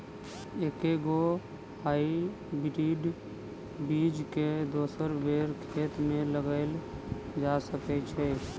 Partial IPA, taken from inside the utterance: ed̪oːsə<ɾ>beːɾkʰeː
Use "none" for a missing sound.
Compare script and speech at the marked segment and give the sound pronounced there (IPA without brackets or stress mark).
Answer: ɾ